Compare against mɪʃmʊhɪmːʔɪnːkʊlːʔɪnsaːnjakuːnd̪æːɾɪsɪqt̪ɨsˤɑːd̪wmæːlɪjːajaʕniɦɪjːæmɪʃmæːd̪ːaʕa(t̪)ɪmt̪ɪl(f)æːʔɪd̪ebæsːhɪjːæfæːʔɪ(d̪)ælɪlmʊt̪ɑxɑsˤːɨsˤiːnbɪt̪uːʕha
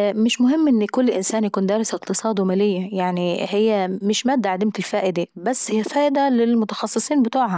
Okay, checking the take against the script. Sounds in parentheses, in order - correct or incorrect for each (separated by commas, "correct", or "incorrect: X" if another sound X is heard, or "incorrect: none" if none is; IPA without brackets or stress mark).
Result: incorrect: d̪, correct, correct